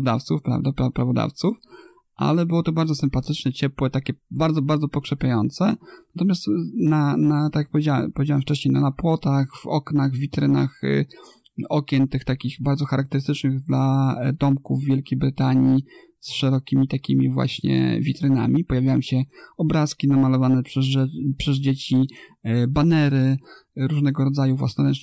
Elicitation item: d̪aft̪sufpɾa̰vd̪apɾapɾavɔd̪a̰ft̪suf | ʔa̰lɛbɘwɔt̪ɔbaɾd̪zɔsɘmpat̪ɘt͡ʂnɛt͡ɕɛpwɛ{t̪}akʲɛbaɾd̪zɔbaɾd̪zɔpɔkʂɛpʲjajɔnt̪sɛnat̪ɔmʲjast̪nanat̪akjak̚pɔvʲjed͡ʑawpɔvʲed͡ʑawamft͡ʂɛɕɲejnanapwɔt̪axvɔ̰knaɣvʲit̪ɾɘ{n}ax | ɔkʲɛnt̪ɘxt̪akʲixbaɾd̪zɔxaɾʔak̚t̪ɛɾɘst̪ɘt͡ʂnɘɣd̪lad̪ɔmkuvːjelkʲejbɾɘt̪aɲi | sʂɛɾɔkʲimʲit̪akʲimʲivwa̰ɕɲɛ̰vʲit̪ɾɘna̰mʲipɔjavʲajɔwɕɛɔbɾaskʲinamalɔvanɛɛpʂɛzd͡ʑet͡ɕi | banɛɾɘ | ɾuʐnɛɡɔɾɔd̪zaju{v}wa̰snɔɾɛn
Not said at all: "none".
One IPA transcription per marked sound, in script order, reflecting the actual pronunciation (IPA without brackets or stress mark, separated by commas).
t̪, n, v